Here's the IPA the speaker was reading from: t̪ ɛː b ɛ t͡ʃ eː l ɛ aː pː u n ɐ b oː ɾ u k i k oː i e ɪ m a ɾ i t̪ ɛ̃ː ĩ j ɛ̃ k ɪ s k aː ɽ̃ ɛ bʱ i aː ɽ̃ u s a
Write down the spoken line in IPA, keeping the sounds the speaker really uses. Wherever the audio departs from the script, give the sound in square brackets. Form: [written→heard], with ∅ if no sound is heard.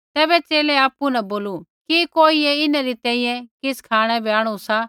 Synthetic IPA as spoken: t̪ ɛː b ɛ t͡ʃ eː l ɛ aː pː u n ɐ b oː [ɾ→l] u k i k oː i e ɪ [m→n] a ɾ i t̪ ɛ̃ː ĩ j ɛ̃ k ɪ s [k→kʰ] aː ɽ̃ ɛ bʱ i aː ɽ̃ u s a